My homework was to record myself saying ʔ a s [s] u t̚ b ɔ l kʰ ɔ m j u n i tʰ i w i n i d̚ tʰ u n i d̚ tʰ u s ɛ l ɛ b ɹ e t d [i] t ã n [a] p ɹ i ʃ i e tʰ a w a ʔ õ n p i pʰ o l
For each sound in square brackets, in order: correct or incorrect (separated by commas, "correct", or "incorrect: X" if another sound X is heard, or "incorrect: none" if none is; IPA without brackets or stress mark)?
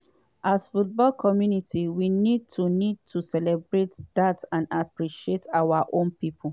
incorrect: f, incorrect: a, correct